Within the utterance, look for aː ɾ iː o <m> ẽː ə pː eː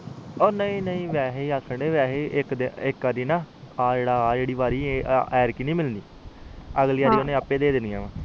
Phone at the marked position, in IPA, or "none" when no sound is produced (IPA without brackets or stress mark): n